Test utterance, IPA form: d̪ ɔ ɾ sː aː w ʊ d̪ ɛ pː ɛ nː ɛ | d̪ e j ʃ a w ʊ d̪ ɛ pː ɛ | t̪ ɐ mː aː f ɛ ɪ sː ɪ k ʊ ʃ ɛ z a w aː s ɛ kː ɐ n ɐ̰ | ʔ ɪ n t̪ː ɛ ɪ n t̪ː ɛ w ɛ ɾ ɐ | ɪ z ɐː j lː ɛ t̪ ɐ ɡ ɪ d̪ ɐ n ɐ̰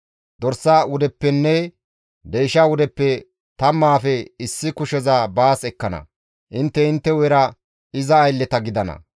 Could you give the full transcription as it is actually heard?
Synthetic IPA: d̪ ɔ ɾ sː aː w ʊ d̪ ɛ pː ɛ nː ɛ | d̪ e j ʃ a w ʊ d̪ ɛ pː ɛ | t̪ ɐ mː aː f ɛ ɪ sː ɪ k ʊ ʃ ɛ z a b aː s ɛ kː ɐ n ɐ̰ | ʔ ɪ n t̪ː ɛ ɪ n t̪ː ɛ w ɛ ɾ ɐ | ɪ z ɐː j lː ɛ t̪ ɐ ɡ ɪ d̪ ɐ n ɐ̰